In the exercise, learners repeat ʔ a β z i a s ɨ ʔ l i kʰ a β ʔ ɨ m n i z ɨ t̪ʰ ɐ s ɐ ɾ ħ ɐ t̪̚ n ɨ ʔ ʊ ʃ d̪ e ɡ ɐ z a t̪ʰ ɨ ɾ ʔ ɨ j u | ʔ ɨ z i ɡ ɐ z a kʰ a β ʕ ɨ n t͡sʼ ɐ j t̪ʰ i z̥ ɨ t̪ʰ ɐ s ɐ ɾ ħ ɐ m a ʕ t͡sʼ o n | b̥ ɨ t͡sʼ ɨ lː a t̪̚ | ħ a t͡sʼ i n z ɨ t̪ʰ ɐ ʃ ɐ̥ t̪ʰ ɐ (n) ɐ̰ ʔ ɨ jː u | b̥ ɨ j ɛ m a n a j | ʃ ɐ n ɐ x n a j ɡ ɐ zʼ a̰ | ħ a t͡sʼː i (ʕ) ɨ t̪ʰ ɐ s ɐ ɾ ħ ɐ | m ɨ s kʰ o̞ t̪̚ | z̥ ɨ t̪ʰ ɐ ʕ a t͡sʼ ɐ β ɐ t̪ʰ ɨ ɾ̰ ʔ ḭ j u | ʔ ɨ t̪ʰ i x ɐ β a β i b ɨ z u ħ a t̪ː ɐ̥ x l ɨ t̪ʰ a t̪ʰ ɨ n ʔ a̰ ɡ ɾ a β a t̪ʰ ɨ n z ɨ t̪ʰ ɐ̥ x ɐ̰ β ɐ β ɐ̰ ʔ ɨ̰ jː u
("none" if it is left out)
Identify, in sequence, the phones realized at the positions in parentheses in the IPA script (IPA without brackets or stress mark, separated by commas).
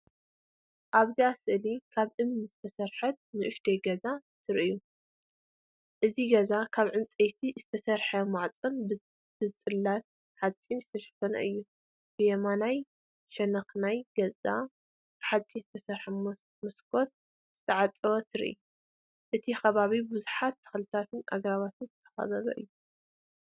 n, z